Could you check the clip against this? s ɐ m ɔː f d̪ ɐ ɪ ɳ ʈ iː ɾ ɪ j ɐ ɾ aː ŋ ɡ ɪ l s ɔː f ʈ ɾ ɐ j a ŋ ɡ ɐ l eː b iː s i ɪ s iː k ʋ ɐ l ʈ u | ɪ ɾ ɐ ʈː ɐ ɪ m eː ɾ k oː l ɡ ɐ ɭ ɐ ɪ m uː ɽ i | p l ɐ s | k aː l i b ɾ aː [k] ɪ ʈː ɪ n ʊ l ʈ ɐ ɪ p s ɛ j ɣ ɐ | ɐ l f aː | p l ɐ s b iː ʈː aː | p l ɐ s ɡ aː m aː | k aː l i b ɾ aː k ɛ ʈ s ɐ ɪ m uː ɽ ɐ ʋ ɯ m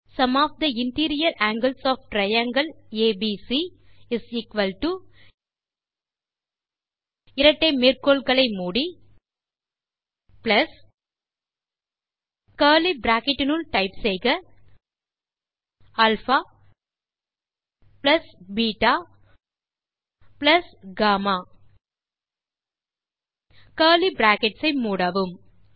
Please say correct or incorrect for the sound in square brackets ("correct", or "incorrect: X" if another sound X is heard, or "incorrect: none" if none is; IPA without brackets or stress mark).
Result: correct